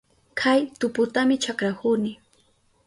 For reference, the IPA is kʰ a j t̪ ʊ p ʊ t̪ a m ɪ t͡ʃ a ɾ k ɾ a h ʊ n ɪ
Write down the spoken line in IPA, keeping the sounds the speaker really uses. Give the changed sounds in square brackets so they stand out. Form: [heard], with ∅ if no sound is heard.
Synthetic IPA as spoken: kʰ a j t̪ ʊ p ʊ t̪ a m ɪ t͡ʃ a [∅] k ɾ a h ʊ n ɪ